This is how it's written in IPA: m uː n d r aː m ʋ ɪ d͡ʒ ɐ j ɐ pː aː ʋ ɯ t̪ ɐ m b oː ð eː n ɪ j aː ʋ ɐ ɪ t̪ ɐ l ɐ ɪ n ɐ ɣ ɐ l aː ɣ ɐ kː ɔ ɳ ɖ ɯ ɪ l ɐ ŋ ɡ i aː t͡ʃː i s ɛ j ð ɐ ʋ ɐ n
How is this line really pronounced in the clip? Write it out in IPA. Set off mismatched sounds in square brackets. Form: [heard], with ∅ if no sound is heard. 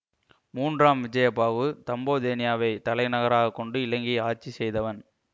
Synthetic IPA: m uː n d r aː m ʋ ɪ d͡ʒ ɐ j ɐ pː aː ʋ ɯ t̪ ɐ m b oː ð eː n ɪ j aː ʋ ɐ ɪ t̪ ɐ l ɐ ɪ n ɐ ɣ ɐ [ɾ] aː ɣ ɐ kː ɔ ɳ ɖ ɯ ɪ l ɐ ŋ ɡ i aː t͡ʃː i s ɛ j ð ɐ ʋ ɐ n